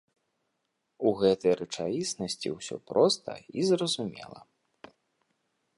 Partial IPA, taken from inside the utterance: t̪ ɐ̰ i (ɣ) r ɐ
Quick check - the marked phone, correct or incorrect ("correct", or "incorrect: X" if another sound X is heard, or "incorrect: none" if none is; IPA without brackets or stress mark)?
incorrect: z